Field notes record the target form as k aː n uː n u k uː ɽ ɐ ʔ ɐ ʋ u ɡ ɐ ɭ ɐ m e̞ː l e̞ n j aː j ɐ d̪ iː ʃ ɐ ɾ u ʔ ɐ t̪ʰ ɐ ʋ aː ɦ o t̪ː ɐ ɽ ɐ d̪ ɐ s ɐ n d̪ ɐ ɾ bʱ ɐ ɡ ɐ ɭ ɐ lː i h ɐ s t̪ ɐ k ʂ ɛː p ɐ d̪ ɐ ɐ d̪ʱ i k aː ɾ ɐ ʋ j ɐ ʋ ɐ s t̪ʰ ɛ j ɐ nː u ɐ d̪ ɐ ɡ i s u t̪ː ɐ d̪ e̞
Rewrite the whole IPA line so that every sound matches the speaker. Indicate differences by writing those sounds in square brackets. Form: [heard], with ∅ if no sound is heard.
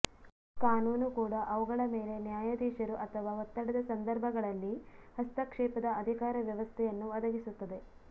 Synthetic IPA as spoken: k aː n uː n u k uː ɽ ɐ ʔ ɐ ʋ u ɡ ɐ ɭ ɐ m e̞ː l e̞ n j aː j ɐ d̪ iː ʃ ɐ ɾ u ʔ ɐ t̪ʰ ɐ ʋ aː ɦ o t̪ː ɐ ɽ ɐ d̪ ɐ s ɐ n d̪ ɐ ɾ bʱ ɐ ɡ ɐ ɭ ɐ lː i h ɐ s t̪ ɐ k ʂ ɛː p ɐ d̪ ɐ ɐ d̪ʱ i k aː ɾ ɐ ʋ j ɐ ʋ ɐ s t̪ʰ ɛ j ɐ nː u ɐ d̪ ɐ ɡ i s u t̪ː ɐ d̪ e̞